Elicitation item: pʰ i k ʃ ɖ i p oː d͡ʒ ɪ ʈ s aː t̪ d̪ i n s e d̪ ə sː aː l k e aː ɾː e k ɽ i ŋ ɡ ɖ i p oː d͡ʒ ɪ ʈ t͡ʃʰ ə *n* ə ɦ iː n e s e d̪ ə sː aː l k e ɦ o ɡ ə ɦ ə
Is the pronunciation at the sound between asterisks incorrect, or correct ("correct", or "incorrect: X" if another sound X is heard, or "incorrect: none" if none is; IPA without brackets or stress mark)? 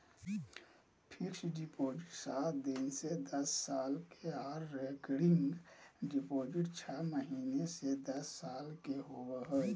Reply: incorrect: m